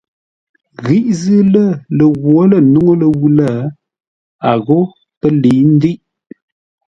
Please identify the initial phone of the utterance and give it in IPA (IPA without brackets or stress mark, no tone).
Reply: ɣ